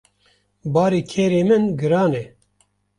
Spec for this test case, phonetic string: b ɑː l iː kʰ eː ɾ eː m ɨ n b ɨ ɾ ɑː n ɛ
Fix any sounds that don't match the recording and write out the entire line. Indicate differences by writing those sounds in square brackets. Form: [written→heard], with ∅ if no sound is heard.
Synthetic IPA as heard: b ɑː [l→ɾ] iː kʰ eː ɾ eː m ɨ n [b→ɡ] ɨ ɾ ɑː n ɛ